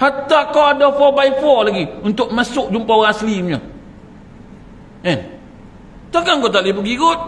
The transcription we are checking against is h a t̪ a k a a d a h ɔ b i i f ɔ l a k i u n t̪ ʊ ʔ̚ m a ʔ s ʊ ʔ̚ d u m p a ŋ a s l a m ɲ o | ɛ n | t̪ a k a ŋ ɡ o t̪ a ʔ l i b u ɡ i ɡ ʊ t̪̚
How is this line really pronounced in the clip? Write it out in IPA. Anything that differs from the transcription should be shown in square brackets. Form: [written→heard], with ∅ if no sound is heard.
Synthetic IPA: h a t̪ a k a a d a [h→f] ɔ b [i→a] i f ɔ l a [k→ɡ] i u n t̪ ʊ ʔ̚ m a [ʔ→∅] s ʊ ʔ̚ [d→d͡ʒ] u m p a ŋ a s l [a→i] m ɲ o | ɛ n | t̪ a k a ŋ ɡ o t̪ a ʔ l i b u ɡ i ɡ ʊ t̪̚